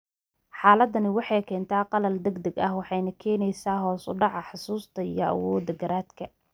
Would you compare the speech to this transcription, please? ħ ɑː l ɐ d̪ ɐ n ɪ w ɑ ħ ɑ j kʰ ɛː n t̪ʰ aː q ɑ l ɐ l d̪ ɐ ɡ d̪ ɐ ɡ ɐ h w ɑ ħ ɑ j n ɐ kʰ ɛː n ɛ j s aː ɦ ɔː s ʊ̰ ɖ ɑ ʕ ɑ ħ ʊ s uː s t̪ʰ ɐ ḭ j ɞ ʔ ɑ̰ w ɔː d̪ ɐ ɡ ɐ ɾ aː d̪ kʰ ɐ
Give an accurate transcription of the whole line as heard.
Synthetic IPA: ħ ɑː l ɐ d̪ ɐ n ɪ w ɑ ħ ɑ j kʰ ɛː n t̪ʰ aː q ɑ l ɐ l d̪ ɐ ɡ d̪ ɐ ɡ ɐ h w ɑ ħ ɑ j n ɐ kʰ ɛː n ɛ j s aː ɦ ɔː s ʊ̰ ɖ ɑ ʕ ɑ ħ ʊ s uː s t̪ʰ ɐ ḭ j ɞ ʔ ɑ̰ w ɔː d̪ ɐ ɡ ɐ ɾ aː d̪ kʰ ɐ